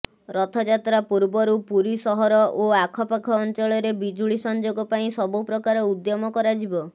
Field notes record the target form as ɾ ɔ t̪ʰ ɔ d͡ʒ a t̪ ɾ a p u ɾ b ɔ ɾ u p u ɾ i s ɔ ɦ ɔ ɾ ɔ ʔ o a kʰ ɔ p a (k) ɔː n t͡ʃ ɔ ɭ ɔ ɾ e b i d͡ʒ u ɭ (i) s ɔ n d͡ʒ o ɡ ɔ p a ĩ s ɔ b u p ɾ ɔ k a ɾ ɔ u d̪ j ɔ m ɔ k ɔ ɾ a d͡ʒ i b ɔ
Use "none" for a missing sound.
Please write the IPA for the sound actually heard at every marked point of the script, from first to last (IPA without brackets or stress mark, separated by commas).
kʰ, i